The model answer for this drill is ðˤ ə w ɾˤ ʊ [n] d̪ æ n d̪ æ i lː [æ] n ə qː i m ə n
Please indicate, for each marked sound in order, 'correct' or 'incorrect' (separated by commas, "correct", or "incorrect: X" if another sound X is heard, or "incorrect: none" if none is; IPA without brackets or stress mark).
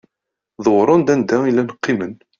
correct, correct